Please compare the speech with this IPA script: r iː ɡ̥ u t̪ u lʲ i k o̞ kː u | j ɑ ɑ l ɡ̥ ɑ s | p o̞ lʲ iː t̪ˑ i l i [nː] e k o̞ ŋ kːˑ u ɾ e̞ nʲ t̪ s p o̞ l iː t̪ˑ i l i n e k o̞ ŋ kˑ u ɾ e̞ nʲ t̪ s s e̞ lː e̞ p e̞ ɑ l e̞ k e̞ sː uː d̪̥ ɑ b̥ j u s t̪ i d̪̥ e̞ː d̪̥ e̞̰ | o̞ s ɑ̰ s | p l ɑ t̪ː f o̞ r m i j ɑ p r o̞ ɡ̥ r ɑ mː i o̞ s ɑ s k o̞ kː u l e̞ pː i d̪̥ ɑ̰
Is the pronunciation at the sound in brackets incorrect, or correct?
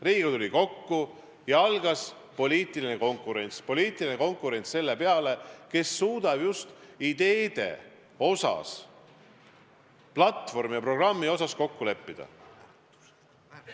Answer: incorrect